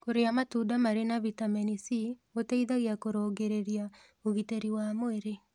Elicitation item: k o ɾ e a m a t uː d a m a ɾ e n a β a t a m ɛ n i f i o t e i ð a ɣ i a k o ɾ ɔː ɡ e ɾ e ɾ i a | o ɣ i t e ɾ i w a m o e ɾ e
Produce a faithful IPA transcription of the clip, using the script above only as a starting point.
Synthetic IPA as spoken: k o ɾ e a m a t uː d a m a ɾ e n a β i t a m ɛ n i s i o t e i ð a ɣ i a k o ɾ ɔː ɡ e ɾ e ɾ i a | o ɣ i t e ɾ i w a m o e ɾ e